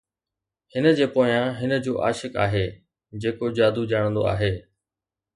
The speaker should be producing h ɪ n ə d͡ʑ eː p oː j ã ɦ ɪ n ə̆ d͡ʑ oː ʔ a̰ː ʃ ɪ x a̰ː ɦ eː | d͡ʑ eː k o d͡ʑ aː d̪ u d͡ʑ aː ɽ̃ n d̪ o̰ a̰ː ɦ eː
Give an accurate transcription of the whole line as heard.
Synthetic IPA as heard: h ɪ n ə d͡ʑ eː p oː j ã ɦ ɪ n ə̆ d͡ʑ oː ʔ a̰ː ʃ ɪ k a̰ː ɦ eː | d͡ʑ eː k o d͡ʑ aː d̪ u d͡ʑ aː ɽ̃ n d̪ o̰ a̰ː ɦ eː